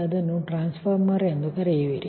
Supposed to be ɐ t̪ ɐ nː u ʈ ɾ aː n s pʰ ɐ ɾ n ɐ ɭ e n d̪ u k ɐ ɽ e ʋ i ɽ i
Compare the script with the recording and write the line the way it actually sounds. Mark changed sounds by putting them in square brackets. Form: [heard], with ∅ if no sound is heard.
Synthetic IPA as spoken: ɐ [d̪] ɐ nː u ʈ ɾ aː n s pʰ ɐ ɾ [m] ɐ [ɾ] e n d̪ u k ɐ [ɾ] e ʋ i [ɾ] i